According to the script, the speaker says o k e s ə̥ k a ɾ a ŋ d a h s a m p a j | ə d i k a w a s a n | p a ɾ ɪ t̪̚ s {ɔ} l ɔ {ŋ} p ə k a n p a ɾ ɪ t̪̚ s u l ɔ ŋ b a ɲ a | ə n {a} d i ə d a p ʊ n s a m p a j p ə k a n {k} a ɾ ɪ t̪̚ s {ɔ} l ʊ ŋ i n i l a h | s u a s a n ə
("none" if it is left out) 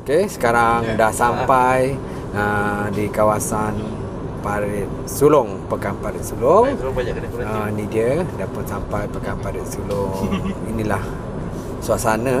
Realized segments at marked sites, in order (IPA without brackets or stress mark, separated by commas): u, ŋ, i, p, u